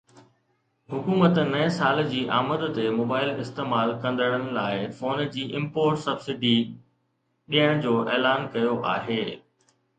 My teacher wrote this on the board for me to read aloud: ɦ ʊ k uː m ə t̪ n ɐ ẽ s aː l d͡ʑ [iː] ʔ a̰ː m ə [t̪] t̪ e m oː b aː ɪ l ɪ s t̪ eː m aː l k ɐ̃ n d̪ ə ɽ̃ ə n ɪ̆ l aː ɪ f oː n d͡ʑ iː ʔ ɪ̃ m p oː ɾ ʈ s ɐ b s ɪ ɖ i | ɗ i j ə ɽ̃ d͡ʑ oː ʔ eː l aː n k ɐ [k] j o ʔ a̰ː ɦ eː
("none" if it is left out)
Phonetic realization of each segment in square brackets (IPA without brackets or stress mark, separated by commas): iː, d̪, none